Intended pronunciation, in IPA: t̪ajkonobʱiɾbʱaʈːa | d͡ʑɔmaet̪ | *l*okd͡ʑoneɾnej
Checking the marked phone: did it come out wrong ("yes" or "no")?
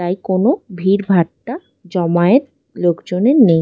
no